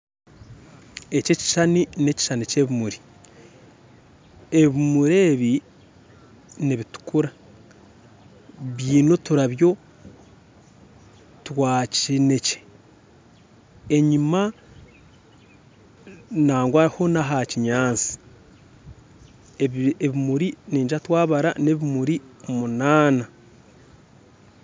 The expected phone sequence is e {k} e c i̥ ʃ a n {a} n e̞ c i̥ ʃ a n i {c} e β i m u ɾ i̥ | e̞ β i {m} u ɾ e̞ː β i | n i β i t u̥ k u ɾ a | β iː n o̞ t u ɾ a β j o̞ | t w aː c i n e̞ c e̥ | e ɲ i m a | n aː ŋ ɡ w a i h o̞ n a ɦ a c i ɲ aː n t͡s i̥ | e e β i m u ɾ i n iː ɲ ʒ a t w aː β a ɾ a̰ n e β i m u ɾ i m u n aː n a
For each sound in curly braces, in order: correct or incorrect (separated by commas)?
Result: incorrect, incorrect, correct, correct